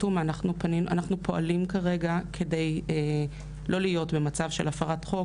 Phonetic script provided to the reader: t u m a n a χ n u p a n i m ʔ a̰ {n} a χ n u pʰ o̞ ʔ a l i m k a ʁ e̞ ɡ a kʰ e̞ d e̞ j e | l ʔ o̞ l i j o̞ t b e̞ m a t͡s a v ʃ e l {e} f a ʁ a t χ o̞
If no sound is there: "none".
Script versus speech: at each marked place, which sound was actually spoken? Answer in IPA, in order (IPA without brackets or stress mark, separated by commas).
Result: n, a